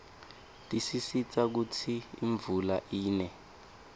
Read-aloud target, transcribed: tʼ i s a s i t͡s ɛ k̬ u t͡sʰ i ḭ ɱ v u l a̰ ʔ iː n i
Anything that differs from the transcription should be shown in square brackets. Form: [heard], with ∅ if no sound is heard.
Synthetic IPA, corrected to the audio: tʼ i s [i] s i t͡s [a] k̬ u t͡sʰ i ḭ ɱ v u l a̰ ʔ iː n [ɛ]